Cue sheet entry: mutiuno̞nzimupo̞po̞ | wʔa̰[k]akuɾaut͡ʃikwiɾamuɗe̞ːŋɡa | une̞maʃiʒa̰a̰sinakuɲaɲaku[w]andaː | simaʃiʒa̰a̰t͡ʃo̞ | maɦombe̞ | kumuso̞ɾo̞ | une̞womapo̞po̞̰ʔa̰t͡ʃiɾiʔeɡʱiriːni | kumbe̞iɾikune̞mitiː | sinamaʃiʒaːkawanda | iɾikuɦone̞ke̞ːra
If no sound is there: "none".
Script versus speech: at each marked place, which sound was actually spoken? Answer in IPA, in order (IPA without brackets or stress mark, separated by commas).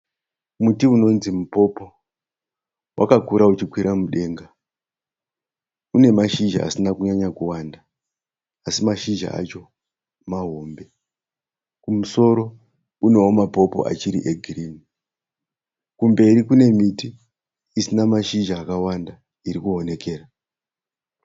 k, w